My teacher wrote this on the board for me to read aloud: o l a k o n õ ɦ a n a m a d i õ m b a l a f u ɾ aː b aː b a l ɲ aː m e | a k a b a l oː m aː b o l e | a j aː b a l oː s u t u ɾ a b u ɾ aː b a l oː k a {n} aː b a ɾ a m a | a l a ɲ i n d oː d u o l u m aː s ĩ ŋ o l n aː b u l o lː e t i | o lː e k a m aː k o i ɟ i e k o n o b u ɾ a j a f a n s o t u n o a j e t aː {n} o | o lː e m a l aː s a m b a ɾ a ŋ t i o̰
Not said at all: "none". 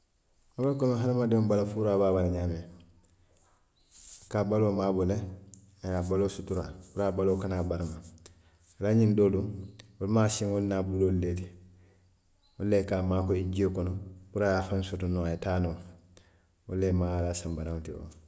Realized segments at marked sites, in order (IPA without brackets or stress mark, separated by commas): n, n